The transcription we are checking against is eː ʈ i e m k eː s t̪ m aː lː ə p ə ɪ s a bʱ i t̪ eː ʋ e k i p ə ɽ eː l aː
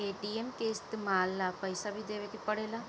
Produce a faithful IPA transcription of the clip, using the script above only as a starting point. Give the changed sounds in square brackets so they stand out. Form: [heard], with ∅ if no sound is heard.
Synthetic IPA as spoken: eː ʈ i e m k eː s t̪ m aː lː [a] p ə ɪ s a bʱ i [d̪] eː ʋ e k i p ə ɽ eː l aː

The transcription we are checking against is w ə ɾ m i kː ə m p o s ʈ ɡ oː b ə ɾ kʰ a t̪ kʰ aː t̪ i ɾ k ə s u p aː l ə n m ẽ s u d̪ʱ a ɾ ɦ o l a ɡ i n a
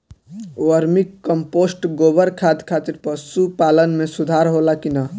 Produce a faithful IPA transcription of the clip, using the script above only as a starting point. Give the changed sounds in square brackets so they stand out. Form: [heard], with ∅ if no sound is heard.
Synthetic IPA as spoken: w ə ɾ m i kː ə m p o s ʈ ɡ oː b ə ɾ kʰ a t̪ kʰ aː t̪ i ɾ [p] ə s u p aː l ə n m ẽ s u d̪ʱ a ɾ ɦ o l a [k] i n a

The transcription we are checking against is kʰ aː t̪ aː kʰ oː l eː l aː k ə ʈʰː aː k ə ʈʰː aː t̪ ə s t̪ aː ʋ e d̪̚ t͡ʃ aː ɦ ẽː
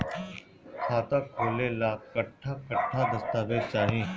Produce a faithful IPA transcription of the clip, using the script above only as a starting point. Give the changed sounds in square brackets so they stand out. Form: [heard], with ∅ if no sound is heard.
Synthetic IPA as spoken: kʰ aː t̪ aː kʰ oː l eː l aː k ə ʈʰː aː k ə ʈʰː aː [d̪] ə s t̪ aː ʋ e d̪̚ t͡ʃ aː ɦ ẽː

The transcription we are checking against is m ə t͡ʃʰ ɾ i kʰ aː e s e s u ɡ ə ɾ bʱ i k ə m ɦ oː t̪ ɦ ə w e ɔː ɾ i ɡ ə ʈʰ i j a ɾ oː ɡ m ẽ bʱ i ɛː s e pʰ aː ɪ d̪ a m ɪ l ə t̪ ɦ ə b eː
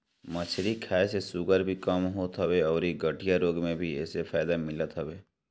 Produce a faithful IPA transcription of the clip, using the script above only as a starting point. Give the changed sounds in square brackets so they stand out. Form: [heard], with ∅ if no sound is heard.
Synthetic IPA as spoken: m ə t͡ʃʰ ɾ i kʰ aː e s e s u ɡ ə ɾ bʱ i k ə m ɦ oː t̪ ɦ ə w e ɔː ɾ i ɡ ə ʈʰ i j a ɾ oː ɡ m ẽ bʱ i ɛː s e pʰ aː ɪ d̪ a m ɪ l ə t̪ ɦ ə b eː

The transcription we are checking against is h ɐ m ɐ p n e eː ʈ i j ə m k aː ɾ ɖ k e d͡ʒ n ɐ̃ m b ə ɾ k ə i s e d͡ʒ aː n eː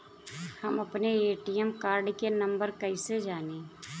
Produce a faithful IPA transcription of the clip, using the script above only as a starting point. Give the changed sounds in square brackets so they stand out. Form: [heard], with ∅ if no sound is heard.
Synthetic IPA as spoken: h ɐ m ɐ p n e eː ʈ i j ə m k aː ɾ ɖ k e [∅] n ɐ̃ m b ə ɾ k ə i s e d͡ʒ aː n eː

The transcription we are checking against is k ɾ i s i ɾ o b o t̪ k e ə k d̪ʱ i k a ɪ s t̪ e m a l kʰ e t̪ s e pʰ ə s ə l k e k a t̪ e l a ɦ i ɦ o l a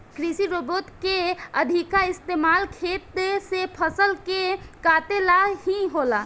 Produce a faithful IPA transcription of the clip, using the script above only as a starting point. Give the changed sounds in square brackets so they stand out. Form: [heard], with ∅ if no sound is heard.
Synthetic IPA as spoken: k ɾ i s i ɾ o b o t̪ k e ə [∅] d̪ʱ i k a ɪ s t̪ e m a l kʰ e t̪ s e pʰ ə s ə l k e k a t̪ e l a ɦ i ɦ o l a

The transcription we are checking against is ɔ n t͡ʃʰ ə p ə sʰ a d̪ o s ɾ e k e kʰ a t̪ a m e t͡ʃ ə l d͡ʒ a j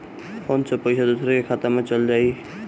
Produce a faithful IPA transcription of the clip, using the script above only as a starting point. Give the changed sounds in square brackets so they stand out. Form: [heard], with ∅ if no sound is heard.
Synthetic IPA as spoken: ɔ n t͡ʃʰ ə p ə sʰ a d̪ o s ɾ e k e kʰ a t̪ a m e t͡ʃ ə l d͡ʒ a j

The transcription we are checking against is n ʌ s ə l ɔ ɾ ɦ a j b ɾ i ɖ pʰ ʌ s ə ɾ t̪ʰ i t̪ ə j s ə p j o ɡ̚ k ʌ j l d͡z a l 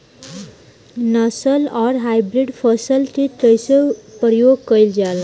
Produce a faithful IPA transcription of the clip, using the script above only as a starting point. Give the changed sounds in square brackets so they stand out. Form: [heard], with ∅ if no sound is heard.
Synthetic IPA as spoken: n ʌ s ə l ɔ ɾ ɦ a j b ɾ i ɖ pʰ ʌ s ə [l] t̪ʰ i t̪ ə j s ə p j o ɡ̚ k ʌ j l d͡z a l

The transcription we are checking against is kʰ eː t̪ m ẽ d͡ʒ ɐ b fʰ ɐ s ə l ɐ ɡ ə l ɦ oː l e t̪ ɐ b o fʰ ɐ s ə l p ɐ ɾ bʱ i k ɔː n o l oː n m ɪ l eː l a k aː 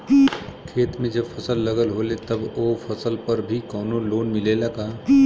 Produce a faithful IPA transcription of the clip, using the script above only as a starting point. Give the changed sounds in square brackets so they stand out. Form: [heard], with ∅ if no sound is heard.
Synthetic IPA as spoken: kʰ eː t̪ m ẽ d͡ʒ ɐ b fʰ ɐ s ə [lː] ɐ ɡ ə l ɦ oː l e t̪ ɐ b o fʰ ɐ s ə l p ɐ ɾ bʱ i k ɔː n o l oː n m ɪ l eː l a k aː

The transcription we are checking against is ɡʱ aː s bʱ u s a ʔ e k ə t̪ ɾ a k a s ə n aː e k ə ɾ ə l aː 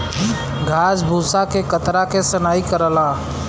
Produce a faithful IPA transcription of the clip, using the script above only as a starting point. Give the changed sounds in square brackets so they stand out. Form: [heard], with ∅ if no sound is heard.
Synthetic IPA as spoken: ɡʱ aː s bʱ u s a [k] e k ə t̪ ɾ a k [e] s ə n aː [i] k ə ɾ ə l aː

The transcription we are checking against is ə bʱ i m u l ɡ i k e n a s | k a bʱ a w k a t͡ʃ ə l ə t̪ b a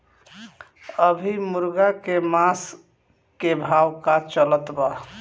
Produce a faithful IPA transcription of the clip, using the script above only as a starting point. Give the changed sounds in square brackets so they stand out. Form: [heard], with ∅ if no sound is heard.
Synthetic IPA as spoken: ə bʱ i m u [ɾ] ɡ [a] k e [m] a s | k [e] bʱ a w k a t͡ʃ ə l ə t̪ b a

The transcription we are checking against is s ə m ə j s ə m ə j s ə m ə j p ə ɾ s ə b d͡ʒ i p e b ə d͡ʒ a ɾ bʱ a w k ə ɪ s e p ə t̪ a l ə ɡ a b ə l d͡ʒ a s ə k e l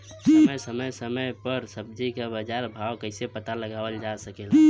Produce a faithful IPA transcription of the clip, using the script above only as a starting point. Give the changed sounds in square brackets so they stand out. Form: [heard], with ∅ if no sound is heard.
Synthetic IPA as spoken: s ə m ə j s ə m ə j s ə m ə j p ə ɾ s ə b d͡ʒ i [k] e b ə d͡ʒ a ɾ bʱ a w k ə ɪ s e p ə t̪ a l ə ɡ a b ə l d͡ʒ a s ə k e l

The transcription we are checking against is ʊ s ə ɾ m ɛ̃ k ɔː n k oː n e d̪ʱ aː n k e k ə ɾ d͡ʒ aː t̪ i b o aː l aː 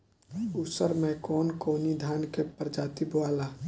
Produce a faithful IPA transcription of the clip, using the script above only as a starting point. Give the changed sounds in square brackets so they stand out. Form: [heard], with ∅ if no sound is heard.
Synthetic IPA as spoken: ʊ s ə ɾ m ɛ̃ k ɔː n k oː n [i] d̪ʱ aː n k e [p] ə ɾ d͡ʒ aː t̪ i b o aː l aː

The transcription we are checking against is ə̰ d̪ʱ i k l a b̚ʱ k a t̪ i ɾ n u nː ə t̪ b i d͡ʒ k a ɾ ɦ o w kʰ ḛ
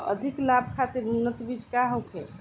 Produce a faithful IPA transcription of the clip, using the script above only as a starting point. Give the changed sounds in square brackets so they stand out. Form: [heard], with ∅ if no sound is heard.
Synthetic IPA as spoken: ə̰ d̪ʱ i k l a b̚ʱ [kʰ] a t̪ i ɾ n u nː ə t̪ b i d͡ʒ k a [∅] ɦ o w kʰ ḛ

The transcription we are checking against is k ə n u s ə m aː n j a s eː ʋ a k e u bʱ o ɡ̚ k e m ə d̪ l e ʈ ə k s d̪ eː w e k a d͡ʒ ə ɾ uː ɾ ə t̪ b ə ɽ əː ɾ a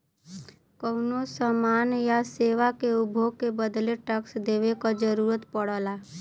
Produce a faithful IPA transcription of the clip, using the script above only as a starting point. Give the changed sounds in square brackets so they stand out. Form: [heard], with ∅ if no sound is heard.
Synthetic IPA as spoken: k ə n [o] s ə m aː n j a s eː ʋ a k e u bʱ o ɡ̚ k e [b] ə d̪ l e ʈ ə k s d̪ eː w e k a d͡ʒ ə ɾ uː ɾ ə t̪ [p] ə ɽ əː [l] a

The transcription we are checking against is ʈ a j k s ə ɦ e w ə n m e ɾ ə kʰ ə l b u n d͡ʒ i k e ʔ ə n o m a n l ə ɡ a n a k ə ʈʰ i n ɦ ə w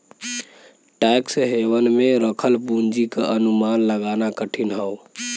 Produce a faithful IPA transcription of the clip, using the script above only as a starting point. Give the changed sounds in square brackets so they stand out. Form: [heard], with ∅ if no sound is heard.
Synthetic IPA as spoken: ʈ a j k s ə ɦ e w ə n m e ɾ ə kʰ ə l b u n d͡ʒ i k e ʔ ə n [u] m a n l ə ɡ a n a k ə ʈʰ i n ɦ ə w

